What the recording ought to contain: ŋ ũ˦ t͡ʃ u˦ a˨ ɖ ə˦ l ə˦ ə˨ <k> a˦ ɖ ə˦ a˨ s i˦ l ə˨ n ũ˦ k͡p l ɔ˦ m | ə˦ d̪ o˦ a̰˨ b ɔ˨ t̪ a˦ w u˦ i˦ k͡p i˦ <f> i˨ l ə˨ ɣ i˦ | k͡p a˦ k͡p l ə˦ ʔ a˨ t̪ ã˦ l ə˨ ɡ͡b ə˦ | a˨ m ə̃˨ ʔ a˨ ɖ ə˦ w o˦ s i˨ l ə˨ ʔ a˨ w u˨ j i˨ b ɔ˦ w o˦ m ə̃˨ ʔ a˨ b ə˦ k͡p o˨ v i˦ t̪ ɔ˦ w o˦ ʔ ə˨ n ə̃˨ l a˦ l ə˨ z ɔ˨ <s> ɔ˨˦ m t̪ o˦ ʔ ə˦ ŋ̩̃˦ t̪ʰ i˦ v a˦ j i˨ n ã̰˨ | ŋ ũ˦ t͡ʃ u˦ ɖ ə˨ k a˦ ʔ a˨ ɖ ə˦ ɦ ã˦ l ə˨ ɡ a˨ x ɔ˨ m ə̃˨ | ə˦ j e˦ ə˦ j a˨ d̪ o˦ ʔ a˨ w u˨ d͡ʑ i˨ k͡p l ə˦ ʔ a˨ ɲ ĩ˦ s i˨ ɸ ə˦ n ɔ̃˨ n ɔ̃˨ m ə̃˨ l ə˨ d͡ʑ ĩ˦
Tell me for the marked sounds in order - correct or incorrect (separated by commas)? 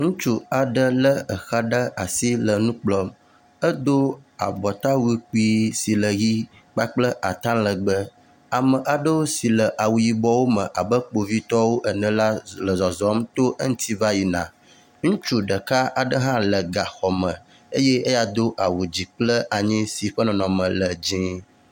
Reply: incorrect, incorrect, incorrect